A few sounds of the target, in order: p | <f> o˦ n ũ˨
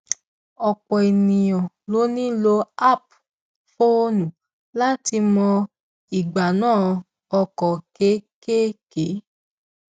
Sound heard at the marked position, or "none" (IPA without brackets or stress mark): f